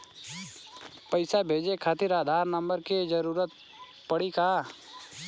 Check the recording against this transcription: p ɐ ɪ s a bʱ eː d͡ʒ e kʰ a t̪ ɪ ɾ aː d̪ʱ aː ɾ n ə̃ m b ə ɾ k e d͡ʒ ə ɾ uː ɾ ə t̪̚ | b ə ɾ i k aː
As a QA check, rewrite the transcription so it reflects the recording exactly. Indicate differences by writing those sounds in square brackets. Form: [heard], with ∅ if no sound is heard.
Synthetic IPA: p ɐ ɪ s a bʱ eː d͡ʒ e kʰ a t̪ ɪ ɾ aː d̪ʱ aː ɾ n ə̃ m b ə ɾ k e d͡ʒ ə ɾ uː ɾ ə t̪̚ | [p] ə [ɽ] i k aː